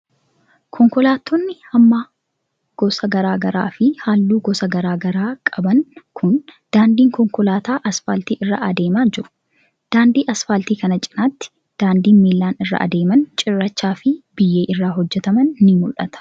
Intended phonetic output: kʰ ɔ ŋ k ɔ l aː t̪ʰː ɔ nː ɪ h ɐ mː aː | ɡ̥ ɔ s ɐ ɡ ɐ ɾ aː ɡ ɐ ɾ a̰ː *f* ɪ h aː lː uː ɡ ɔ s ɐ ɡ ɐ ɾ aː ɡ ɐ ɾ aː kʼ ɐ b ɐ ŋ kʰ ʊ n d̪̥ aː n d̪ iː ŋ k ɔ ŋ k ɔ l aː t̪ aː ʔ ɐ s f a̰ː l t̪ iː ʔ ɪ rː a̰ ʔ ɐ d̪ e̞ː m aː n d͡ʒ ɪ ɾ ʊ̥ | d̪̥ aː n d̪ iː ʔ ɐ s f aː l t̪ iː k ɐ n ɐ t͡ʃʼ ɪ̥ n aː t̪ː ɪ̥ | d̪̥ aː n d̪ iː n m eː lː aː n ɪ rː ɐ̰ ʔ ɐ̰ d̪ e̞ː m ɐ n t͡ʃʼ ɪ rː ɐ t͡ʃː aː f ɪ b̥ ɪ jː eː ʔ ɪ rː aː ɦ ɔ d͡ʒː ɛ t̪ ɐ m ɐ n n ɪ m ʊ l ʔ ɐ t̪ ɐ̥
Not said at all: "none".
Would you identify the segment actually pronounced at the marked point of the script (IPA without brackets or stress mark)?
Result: f